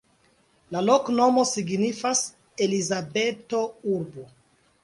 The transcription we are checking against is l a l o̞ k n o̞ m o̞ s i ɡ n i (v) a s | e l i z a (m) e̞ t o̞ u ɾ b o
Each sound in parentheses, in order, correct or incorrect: incorrect, incorrect

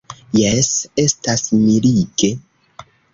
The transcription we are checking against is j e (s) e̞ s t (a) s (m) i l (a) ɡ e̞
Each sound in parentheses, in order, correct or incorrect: correct, correct, correct, incorrect

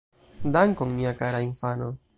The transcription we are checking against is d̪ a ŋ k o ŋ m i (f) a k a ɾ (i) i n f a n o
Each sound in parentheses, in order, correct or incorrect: incorrect, incorrect

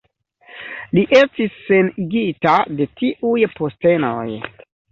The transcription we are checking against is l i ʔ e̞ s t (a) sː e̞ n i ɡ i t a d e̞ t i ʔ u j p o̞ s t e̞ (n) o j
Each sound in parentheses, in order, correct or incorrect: incorrect, correct

